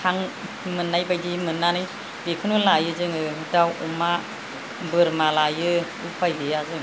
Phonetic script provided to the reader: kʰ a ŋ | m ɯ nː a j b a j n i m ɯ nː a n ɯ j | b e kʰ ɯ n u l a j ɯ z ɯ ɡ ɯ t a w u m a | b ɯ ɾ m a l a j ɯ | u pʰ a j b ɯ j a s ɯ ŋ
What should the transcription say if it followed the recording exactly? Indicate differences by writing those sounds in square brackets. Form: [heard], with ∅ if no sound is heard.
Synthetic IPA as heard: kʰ a ŋ | m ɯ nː a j b a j [d] i m ɯ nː a n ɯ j | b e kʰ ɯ n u l a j ɯ z ɯ [ŋ] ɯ [d] a w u m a | b ɯ ɾ m a l a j ɯ | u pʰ a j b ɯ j a [z] ɯ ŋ